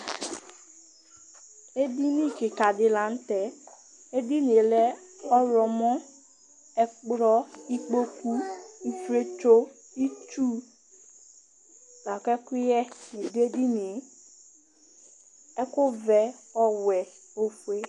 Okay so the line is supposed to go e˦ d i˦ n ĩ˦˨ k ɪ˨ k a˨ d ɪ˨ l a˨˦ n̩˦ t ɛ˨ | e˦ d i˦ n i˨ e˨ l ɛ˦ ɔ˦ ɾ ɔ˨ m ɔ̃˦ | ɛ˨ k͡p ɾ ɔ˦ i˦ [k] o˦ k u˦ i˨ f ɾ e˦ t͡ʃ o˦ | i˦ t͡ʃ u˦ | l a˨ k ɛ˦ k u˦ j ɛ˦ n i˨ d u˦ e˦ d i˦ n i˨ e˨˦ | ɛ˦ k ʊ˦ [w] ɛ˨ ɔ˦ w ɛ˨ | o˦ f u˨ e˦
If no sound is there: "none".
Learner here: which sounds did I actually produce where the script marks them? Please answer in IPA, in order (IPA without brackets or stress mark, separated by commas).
k͡p, v